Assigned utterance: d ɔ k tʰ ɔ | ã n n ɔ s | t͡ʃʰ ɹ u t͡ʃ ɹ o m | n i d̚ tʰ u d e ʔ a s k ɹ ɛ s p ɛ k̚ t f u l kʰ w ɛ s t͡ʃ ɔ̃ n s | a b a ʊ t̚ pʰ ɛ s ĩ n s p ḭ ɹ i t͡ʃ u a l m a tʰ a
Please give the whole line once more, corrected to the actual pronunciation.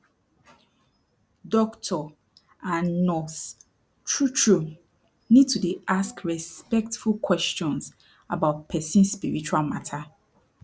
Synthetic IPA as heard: d ɔ k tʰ ɔ | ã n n ɔ s | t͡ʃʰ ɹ u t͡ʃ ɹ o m | n i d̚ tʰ u d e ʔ a s k ɹ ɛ s p ɛ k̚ t f u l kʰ w ɛ s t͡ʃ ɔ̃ n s | a b a ʊ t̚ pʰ ɛ s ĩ n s p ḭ ɹ i t͡ʃ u a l m a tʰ a

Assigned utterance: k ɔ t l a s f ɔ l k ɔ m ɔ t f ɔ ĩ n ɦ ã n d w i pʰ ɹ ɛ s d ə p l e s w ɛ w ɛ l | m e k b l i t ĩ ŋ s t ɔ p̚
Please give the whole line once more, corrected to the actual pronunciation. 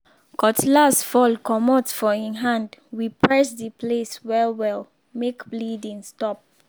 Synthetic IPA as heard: k ɔ t l a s f ɔ l k ɔ m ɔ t f ɔ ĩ n ɦ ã n d w i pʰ ɹ ɛ s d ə p l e s w ɛ w ɛ l | m e k b l i d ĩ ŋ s t ɔ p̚

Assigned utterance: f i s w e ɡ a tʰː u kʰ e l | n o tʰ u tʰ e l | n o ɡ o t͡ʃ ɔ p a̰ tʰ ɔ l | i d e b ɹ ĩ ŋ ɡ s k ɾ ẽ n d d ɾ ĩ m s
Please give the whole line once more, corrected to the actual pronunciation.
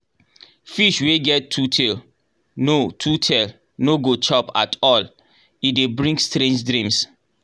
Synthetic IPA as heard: f i ʃ w e ɡ ɛ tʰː u tʰ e l | n o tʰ u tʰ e l | n o ɡ o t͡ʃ ɔ p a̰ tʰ ɔ l | i d e b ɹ ĩ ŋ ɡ s t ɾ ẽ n d͡ʒ d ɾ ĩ m s

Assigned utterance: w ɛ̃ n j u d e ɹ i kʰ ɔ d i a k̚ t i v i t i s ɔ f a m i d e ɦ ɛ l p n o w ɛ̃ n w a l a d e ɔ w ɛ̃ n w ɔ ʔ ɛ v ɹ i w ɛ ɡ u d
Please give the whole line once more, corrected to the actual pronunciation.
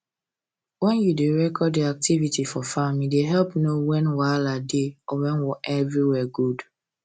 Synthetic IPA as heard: w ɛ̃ n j u d e ɹ ɛ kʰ ɔ d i a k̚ t i v i t i f ɔ f a m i d e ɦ ɛ l p n o w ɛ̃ n w a l a d e ɔ w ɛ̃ n w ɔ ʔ ɛ v ɹ i w ɛ ɡ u d

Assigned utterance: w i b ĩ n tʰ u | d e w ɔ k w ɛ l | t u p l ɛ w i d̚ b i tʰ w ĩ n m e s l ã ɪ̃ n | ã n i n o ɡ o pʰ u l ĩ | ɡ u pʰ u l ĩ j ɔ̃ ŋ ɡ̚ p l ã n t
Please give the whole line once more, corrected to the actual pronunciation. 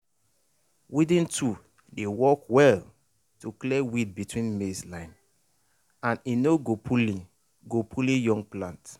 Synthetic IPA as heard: w i d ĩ n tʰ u | d e w ɔ k w ɛ l | t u k l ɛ w i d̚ b i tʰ w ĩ n m e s l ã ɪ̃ n | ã n i n o ɡ o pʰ u l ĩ | ɡ o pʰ u l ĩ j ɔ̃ ŋ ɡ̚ p l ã n t

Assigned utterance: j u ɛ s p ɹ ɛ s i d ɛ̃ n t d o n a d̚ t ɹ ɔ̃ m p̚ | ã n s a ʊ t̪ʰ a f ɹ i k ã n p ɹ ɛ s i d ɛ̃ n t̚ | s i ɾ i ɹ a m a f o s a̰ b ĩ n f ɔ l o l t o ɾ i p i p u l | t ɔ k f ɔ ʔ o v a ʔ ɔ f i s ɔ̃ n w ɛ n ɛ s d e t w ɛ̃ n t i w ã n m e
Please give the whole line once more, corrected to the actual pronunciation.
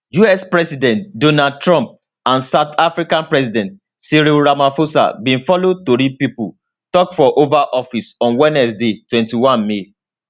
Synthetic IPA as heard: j u ɛ s p ɹ ɛ s i d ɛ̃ n t d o n a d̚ t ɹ ɔ̃ m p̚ | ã n s a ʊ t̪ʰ a f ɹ i k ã n p ɹ ɛ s i d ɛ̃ n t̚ | s i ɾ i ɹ a m a f o s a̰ b ĩ n f ɔ l o t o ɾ i p i p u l | t ɔ k f ɔ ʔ o v a ʔ ɔ f i s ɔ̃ n w ɛ n ɛ s d e t w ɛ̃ n t i w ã n m e

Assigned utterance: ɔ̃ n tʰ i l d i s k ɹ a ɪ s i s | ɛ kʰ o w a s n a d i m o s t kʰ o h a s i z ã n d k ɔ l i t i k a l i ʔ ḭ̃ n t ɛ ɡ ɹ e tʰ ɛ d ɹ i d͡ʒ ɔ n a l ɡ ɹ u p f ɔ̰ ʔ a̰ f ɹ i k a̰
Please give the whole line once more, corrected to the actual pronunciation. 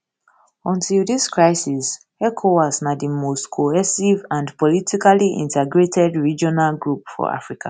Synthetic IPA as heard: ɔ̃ n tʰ i l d i s k ɹ a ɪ s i s | ɛ kʰ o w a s n a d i m o s t kʰ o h ɛ s i v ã n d p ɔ l i t i k a l i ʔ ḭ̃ n t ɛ ɡ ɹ e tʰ ɛ d ɹ i d͡ʒ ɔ n a l ɡ ɹ u p f ɔ̰ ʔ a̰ f ɹ i k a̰

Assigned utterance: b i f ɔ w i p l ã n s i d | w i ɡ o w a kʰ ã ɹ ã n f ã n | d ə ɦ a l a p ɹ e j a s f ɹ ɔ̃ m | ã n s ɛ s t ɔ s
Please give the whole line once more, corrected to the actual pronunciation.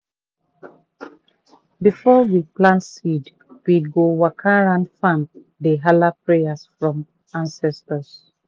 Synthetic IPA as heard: b i f ɔ w i p l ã n s i d | w i ɡ o w a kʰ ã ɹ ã n f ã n | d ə ɦ a l a p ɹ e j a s f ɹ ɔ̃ m | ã n s ɛ s t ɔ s

